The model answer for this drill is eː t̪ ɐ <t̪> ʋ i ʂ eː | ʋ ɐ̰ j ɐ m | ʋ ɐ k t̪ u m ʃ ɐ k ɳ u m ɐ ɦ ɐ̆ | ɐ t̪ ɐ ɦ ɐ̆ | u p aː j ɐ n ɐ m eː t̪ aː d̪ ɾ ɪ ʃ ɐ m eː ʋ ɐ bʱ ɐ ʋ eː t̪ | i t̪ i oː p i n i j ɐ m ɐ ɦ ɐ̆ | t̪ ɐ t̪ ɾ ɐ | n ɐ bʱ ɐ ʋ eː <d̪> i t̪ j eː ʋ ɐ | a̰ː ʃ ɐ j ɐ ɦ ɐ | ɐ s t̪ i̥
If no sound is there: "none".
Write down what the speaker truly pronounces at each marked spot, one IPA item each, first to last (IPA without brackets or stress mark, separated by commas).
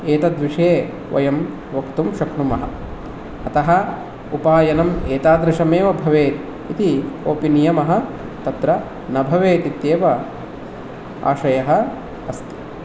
d̪, t̪